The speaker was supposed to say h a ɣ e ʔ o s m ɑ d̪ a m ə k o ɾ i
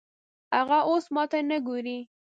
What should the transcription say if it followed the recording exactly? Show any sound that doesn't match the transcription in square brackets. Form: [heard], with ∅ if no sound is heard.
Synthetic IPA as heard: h a ɣ [a] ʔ o s m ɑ [t̪] a [n] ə [ɡ] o ɾ i